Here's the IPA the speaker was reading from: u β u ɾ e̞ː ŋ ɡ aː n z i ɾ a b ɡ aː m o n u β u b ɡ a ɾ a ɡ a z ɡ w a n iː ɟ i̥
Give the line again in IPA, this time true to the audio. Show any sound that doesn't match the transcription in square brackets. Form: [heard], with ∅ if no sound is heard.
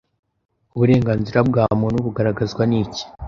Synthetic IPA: u β u ɾ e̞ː ŋ ɡ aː n z i ɾ a b ɡ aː m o n u β u [∅] ɡ a ɾ a ɡ a z ɡ w a n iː [c] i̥